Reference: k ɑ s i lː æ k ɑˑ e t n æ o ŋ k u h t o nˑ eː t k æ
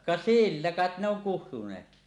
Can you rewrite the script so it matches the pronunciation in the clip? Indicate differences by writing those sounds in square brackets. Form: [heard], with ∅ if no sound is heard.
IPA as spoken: k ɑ s i lː æ k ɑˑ e t n [e] o ŋ k u h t [u] nˑ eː t k [i]